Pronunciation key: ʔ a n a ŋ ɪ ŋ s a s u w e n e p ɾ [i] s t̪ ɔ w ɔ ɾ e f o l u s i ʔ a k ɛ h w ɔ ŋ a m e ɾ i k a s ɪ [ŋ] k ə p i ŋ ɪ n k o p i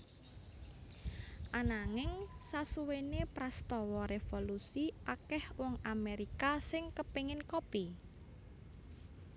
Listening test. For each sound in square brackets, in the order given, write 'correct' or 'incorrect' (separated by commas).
incorrect, correct